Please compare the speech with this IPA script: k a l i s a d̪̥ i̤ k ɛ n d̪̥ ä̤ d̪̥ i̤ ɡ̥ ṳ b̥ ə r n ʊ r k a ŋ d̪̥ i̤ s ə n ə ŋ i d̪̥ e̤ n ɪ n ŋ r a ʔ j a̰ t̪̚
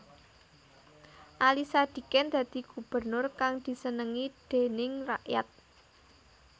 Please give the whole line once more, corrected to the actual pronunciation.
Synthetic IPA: ʔ a l i s a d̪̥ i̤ k ɛ n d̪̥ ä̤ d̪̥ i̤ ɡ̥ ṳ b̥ ə r n ʊ r k a ŋ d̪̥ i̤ s ə n ə ŋ i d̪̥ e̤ n ɪ ŋ r a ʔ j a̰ t̪̚